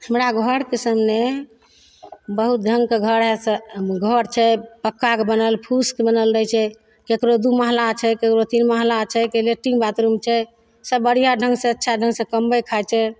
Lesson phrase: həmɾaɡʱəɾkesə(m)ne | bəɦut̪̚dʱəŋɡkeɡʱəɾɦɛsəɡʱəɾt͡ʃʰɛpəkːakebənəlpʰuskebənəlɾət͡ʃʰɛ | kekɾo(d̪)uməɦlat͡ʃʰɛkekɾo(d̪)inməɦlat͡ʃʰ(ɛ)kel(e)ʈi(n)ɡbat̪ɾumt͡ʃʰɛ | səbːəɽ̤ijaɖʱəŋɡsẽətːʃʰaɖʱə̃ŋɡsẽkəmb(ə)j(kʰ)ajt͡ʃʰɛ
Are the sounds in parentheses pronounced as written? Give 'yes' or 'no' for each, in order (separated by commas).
yes, yes, no, yes, yes, no, yes, yes